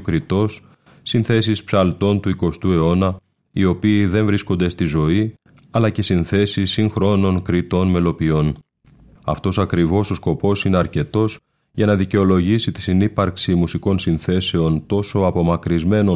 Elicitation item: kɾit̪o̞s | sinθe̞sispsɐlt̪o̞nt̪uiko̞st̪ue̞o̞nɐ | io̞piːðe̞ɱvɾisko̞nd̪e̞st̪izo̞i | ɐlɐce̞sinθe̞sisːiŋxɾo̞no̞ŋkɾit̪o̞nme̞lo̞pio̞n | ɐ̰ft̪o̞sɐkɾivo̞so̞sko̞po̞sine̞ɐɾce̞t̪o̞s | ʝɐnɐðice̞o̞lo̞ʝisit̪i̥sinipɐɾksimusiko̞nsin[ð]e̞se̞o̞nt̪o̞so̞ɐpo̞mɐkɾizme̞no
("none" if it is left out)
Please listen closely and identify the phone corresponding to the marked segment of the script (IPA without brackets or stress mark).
θ